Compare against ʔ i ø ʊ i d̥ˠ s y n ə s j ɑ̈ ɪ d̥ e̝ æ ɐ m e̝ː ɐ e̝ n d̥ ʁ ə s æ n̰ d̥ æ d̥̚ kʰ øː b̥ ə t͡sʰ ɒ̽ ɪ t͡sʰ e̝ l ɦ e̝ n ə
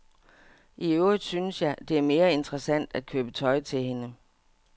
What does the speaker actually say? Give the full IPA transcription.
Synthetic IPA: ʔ i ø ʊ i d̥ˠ s y n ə s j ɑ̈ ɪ d̥ e̝ æ ɐ m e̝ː ɐ e̝ n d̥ ʁ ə s æ n̰ d̥ æ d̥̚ kʰ øː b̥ ə t͡sʰ ɒ̽ ɪ t͡sʰ e̝ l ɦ e̝ n ə